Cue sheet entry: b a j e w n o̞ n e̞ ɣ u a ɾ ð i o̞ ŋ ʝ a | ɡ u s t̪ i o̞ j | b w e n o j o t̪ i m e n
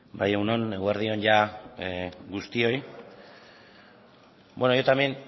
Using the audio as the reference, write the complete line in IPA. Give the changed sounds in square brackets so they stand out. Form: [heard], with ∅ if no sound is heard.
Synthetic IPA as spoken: b a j e w n o̞ n e̞ ɣ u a ɾ ð i o̞ [n] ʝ a | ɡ u s t̪ i o̞ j | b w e n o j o t̪ [a] m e n